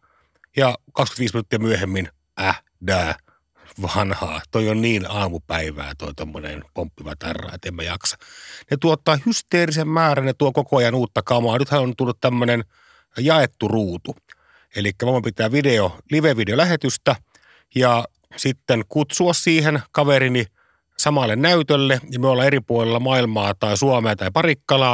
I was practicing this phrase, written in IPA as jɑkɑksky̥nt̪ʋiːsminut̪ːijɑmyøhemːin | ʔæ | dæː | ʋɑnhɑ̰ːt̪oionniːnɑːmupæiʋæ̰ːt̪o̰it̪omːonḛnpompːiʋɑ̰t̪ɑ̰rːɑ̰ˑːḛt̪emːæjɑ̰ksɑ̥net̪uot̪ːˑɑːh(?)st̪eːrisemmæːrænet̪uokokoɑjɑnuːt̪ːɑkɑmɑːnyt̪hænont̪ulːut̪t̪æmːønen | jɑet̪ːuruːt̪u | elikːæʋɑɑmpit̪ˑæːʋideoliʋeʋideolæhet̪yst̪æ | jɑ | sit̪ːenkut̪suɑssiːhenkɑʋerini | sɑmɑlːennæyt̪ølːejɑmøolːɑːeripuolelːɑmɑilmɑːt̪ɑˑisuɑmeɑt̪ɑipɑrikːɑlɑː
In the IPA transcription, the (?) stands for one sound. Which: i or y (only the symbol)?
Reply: y